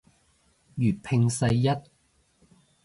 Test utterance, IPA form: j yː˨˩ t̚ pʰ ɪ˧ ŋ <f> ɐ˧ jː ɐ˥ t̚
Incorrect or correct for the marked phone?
incorrect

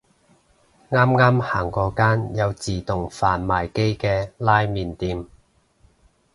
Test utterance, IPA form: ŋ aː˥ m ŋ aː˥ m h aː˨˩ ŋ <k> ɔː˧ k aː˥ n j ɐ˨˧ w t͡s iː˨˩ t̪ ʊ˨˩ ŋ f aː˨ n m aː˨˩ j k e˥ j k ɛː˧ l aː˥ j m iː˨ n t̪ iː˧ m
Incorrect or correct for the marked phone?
correct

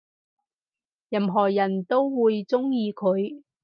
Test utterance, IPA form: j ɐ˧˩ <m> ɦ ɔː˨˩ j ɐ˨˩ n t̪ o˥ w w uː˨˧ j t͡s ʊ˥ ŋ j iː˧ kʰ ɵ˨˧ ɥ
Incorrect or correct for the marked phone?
correct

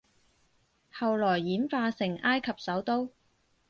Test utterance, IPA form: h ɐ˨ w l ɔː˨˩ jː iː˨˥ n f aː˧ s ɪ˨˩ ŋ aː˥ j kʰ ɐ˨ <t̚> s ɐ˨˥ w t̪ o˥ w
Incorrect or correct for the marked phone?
incorrect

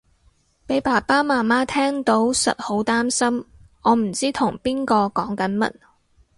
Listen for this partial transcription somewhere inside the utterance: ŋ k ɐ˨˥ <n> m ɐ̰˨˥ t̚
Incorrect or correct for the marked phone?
correct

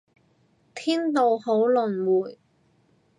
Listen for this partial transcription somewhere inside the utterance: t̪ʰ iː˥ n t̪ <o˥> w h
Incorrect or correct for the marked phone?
incorrect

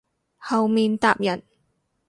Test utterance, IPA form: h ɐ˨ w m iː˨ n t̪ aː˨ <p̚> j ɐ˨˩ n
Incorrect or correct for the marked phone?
correct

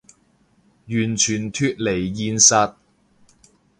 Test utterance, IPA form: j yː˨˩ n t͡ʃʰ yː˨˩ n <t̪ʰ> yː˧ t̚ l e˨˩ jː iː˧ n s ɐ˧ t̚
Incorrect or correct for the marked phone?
correct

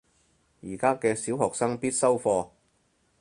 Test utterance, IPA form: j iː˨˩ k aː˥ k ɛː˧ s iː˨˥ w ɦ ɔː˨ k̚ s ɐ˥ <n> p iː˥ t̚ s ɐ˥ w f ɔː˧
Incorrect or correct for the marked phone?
incorrect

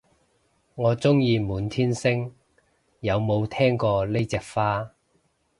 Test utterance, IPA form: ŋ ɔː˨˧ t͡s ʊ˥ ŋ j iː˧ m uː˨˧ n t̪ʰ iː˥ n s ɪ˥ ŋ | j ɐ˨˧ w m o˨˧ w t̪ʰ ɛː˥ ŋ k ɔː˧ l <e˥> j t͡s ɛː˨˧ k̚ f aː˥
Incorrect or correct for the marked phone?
correct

